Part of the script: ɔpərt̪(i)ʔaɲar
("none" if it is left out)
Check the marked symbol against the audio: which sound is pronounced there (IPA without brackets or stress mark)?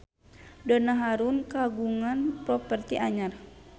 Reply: i